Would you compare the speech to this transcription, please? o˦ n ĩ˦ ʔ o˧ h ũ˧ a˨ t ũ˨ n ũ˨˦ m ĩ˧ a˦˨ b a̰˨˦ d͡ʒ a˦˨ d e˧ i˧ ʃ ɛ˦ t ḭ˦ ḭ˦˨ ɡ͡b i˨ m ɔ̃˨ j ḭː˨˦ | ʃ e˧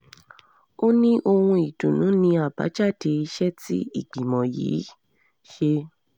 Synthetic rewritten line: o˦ n ĩ˦ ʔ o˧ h ũ˧ i˨ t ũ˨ n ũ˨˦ n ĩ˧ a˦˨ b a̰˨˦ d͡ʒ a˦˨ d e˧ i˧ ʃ ɛ˦ t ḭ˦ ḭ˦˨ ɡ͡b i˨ m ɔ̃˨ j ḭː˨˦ | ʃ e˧

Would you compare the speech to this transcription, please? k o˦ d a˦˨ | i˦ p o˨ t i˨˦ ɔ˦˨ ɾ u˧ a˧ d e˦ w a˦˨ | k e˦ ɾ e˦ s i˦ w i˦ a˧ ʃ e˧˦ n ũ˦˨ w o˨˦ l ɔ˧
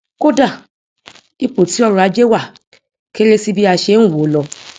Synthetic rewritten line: k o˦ d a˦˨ | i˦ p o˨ t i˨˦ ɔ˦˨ ɾ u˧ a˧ d͡ʒ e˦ w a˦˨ | k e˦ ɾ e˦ s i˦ b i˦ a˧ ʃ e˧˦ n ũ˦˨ w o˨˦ l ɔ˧

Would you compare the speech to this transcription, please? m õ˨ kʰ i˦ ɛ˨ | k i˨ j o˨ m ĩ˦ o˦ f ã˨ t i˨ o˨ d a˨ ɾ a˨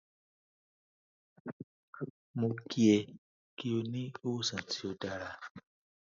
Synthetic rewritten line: m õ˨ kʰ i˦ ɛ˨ | k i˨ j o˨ n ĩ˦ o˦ s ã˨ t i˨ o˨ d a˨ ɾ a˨

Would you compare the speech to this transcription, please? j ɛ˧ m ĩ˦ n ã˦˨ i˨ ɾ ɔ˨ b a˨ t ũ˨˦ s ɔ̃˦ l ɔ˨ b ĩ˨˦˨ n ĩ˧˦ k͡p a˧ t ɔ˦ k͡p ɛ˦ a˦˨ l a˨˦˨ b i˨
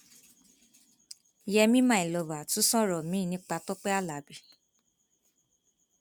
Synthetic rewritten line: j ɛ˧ m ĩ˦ m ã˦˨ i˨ l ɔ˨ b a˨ t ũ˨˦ s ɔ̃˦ ɾ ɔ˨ m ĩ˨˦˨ n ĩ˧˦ k͡p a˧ t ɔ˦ k͡p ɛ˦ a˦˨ l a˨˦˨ b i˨

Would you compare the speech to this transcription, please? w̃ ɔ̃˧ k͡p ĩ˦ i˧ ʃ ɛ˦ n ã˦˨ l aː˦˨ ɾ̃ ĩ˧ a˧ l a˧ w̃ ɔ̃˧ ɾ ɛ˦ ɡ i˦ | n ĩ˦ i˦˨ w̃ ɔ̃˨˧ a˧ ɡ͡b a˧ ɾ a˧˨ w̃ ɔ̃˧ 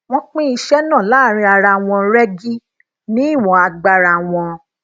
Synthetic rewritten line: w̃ ɔ̃˧ k͡p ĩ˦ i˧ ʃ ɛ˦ n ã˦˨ l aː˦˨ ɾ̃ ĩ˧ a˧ ɾ a˧ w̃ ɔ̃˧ ɾ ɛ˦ ɡ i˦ | n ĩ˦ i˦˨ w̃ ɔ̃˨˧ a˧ ɡ͡b a˧ ɾ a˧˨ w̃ ɔ̃˧

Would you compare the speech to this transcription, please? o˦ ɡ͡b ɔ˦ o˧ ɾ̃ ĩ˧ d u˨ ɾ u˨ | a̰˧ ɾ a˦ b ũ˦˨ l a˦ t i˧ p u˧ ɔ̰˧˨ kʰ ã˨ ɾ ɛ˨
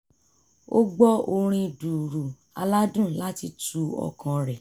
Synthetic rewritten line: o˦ ɡ͡b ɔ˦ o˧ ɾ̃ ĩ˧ d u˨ ɾ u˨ | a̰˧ l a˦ d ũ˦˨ l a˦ t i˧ t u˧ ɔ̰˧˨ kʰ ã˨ ɾ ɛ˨

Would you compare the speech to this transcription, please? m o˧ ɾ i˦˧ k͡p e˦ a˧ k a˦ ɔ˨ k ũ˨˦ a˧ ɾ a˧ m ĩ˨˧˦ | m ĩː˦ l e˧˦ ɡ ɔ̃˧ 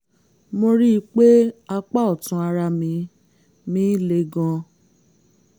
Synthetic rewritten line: m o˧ ɾ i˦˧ k͡p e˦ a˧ k͡p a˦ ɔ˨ t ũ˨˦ a˧ ɾ a˧ m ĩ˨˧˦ | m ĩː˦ l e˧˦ ɡ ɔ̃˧

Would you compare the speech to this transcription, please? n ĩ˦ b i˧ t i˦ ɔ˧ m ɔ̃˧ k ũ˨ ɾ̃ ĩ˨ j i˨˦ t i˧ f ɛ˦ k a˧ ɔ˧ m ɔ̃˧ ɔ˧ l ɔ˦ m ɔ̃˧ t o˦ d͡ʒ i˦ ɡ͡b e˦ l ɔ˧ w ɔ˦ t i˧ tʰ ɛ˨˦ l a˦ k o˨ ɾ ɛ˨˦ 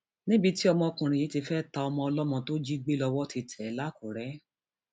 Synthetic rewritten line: n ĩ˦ b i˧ t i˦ ɔ˧ m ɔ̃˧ k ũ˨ ɾ̃ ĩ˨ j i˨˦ t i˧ f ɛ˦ t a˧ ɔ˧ m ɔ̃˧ ɔ˧ l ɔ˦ m ɔ̃˧ t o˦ d͡ʒ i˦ ɡ͡b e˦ l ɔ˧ w ɔ˦ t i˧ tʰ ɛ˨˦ l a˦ k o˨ ɾ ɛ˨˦

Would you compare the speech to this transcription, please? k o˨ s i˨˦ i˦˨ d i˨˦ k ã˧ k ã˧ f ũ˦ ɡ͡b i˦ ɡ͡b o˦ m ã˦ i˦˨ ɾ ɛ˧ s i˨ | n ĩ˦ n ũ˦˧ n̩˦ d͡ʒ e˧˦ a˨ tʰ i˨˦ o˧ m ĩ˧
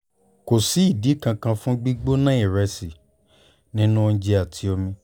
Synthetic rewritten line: k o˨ s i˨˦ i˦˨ d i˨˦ k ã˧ k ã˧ f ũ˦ ɡ͡b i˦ ɡ͡b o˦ n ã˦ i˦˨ ɾ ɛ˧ s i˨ | n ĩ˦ n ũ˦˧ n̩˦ d͡ʒ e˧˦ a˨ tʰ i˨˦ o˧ m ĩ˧

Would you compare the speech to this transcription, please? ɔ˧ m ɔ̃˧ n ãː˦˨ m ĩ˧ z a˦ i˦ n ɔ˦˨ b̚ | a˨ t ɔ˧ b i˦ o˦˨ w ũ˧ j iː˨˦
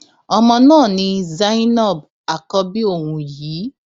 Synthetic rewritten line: ɔ˧ m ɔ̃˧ n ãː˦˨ n ĩ˧ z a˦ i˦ n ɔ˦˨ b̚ | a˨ k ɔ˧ b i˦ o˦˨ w ũ˧ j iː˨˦

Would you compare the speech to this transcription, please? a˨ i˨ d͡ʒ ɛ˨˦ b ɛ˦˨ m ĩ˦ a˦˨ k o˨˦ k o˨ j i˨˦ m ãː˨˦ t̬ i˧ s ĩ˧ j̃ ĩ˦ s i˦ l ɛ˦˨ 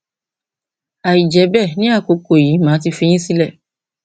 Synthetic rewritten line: a˨ i˨ d͡ʒ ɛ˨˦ b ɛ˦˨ n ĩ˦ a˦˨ k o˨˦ k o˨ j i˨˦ m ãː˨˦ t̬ i˧ f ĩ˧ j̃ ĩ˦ s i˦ l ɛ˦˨

